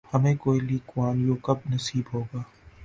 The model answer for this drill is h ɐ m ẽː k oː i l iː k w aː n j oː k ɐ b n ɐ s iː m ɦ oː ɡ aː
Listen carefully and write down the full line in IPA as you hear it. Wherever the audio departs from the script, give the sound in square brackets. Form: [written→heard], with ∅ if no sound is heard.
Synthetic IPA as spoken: h ɐ m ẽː k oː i l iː k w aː n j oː k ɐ b n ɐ s iː [m→b] ɦ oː ɡ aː

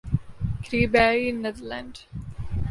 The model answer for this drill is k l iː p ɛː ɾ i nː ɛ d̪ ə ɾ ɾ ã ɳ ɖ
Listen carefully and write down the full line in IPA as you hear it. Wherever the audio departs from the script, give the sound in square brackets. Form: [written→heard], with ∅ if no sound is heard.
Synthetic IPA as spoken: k [l→ɾ] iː [p→b] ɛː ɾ i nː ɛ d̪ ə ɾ [ɾ→l] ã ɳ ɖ

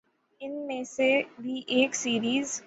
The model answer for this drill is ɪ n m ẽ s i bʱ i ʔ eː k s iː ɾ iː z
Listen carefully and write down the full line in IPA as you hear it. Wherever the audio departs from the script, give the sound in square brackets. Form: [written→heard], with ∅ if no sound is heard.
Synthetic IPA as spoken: ɪ n m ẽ s [i→e] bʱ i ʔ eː k s iː ɾ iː z

